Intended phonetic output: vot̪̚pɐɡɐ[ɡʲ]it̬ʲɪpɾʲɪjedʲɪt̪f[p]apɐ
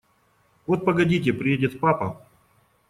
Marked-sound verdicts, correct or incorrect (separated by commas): incorrect, correct